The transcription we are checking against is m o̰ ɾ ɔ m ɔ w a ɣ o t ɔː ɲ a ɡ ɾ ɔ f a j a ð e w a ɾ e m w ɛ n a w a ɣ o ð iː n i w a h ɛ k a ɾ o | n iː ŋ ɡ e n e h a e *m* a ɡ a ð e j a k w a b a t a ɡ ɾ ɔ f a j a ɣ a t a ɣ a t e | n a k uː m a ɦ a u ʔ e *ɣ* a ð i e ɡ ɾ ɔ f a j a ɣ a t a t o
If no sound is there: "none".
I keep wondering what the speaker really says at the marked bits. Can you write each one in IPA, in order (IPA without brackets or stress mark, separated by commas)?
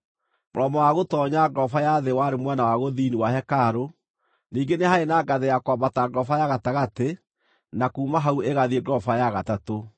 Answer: n, ɣ